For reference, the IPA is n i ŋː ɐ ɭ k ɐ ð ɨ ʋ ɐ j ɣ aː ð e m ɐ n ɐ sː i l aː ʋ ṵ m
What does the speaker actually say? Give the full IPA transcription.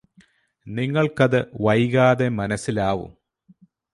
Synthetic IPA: n i ŋː ɐ ɭ k ɐ ð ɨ ʋ ɐ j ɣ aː ð e m ɐ n ɐ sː i l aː ʋ ṵ m